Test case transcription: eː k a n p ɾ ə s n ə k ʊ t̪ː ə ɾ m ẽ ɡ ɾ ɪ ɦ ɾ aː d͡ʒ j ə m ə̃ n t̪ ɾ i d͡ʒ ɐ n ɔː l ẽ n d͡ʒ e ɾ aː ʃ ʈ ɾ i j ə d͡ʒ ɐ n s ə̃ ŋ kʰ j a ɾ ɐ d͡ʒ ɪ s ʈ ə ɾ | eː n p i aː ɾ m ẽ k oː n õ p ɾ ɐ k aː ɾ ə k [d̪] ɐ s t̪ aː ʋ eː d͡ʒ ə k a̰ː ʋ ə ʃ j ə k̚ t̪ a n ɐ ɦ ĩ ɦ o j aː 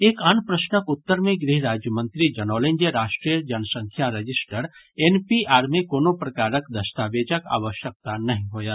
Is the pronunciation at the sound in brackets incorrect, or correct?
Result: correct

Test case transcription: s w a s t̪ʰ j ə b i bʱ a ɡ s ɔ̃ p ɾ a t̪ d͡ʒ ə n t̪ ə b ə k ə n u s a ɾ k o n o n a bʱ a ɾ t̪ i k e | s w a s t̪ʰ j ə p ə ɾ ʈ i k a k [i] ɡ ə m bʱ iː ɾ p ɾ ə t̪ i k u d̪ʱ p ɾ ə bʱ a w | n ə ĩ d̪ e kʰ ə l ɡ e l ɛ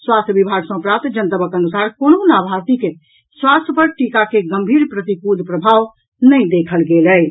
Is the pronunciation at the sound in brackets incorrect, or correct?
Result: incorrect: e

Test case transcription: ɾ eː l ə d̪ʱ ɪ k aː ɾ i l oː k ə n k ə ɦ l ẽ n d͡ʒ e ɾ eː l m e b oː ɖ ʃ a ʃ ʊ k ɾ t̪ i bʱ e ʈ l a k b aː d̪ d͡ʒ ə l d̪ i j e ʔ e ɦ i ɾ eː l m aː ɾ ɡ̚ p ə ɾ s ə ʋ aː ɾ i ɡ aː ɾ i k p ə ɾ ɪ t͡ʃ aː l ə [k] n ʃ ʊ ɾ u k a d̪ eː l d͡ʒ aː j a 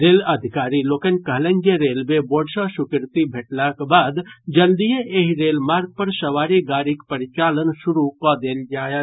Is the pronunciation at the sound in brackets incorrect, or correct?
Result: incorrect: none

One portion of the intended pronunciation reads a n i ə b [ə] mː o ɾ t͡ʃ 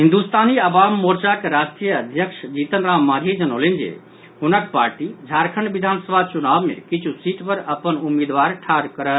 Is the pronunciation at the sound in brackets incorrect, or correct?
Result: incorrect: a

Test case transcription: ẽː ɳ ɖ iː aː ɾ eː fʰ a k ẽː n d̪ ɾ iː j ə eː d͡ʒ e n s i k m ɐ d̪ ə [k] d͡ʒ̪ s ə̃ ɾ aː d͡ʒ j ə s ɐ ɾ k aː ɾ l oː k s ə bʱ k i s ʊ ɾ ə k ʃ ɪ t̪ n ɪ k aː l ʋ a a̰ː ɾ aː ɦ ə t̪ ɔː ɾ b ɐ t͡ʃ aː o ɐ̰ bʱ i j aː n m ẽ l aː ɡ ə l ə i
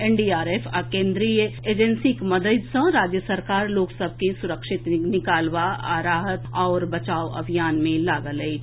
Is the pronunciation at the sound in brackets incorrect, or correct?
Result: incorrect: none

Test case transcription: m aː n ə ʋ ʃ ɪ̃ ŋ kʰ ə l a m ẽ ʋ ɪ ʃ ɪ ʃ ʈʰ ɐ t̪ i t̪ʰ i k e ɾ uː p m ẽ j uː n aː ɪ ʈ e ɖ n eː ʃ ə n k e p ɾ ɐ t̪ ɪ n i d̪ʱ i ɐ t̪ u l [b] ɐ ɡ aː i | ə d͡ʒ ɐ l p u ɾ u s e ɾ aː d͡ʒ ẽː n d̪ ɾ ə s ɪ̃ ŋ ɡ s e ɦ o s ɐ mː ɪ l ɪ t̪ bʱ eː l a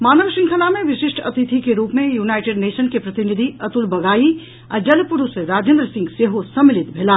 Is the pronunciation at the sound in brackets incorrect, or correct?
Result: correct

